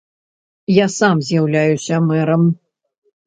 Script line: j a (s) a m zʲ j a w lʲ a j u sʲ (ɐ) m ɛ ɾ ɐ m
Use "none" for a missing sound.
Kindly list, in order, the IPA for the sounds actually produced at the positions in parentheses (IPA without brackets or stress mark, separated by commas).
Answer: s, ɐ